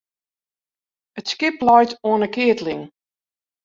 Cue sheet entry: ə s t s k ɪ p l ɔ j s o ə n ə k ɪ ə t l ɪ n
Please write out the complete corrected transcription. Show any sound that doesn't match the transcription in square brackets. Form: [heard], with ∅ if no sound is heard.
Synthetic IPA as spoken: ə [∅] t s k ɪ p l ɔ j [t] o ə n ə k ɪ ə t l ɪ [ŋ]